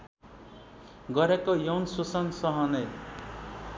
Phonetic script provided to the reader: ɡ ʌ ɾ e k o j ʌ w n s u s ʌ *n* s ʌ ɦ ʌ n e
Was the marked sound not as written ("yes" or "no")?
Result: no